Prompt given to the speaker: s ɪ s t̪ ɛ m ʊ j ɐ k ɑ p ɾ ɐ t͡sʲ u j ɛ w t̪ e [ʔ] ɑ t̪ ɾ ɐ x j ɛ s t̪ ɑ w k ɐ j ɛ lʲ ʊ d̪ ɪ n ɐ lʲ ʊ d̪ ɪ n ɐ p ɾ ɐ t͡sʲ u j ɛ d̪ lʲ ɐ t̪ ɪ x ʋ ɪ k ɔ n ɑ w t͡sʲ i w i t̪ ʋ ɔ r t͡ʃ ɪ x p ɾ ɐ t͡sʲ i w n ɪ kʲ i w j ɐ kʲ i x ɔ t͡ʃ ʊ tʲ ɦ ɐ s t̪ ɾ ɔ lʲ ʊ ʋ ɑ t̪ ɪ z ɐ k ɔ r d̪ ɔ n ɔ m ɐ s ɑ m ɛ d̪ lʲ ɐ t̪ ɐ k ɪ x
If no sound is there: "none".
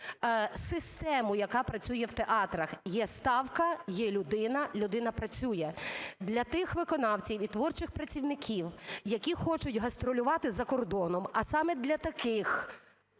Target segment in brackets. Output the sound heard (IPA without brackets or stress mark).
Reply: ʔ